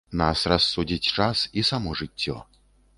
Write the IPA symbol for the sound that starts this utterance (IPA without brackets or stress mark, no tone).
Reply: n